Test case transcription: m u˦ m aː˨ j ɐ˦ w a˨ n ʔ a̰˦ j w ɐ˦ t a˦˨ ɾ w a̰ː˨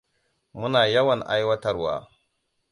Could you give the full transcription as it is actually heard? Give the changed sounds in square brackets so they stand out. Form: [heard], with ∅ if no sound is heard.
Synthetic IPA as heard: m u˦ [n] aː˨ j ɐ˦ w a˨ n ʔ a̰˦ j w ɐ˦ t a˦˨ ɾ w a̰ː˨